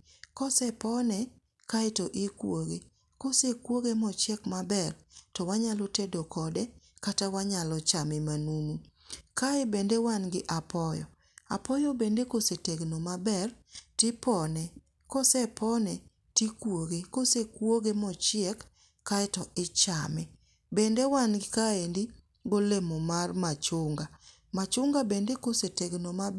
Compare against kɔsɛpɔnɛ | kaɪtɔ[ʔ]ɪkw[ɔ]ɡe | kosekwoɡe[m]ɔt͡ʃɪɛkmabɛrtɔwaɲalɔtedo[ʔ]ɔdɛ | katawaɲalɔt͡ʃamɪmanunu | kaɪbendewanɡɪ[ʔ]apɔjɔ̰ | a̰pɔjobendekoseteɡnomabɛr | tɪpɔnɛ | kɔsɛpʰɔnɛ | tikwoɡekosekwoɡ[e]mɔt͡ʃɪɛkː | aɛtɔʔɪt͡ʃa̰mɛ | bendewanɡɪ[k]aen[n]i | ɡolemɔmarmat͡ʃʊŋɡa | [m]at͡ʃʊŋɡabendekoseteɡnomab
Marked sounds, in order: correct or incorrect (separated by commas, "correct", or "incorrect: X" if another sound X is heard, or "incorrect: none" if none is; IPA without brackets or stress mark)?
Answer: correct, incorrect: o, correct, incorrect: k, correct, correct, correct, incorrect: d, correct